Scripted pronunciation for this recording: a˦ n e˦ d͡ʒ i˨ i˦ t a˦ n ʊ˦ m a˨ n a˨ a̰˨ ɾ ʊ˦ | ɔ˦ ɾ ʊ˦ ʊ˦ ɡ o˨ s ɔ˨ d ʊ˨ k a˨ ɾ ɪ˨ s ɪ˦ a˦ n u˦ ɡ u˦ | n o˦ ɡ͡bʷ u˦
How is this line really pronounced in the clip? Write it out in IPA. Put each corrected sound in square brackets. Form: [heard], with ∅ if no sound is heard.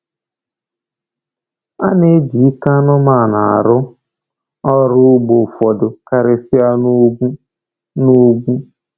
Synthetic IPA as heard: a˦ n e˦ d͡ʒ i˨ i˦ [k] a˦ n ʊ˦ m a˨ n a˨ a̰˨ ɾ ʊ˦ | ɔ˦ ɾ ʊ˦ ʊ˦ [ɡ͡b] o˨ [f] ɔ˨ d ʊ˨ k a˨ ɾ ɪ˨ s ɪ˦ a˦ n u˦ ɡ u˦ | n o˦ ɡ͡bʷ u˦